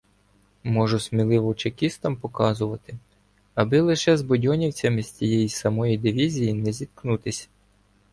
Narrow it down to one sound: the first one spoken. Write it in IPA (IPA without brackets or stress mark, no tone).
m